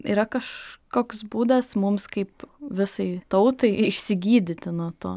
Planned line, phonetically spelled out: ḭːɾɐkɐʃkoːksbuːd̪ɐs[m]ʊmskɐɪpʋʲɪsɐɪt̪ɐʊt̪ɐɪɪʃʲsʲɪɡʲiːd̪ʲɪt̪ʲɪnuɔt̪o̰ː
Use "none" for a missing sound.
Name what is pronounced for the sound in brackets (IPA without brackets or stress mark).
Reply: m